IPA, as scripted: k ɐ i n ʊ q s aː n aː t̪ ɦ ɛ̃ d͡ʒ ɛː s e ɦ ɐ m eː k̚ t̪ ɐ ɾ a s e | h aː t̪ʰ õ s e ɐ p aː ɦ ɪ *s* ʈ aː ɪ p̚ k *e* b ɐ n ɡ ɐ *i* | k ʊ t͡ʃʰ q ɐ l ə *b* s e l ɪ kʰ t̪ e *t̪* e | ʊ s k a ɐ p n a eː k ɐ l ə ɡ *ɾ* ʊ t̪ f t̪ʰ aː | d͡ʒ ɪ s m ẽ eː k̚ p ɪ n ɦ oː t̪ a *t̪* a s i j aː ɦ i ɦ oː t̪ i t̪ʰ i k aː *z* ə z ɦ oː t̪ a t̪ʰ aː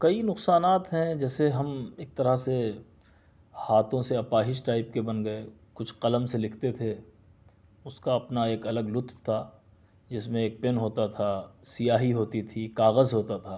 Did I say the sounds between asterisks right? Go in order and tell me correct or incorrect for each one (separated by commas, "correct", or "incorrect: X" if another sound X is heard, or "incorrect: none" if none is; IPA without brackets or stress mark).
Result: incorrect: ʃ, correct, incorrect: e, incorrect: m, incorrect: t̪ʰ, incorrect: l, incorrect: t̪ʰ, incorrect: ɣ